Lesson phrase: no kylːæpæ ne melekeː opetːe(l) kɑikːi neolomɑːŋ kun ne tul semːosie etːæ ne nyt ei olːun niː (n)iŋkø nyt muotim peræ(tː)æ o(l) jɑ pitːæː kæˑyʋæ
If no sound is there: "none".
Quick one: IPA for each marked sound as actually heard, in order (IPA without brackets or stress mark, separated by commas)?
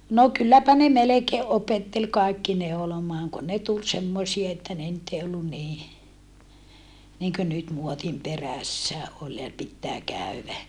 l, n, sː, l